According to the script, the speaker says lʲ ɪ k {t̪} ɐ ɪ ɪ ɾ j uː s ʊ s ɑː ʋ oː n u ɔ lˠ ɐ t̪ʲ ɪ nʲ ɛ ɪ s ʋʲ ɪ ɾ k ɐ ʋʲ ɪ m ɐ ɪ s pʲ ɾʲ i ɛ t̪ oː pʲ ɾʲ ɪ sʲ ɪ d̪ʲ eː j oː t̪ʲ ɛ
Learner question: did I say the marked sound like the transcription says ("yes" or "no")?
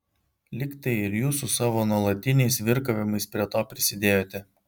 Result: yes